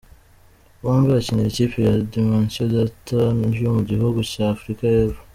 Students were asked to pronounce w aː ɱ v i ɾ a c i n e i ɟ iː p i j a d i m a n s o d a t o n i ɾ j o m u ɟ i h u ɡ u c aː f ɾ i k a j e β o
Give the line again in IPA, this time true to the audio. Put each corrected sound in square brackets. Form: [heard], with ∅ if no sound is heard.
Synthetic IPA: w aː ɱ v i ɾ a c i n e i [c] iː p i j a d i m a n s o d a t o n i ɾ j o m u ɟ i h u ɡ u c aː f ɾ i k a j e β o